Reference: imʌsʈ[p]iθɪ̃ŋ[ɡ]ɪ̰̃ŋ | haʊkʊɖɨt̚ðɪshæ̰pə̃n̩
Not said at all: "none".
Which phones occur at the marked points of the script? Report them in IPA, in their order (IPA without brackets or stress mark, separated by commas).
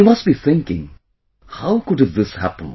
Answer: b, k